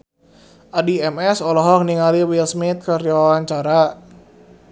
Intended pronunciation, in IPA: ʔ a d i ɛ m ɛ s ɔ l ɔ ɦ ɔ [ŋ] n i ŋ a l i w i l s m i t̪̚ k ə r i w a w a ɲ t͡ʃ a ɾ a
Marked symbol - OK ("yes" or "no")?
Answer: yes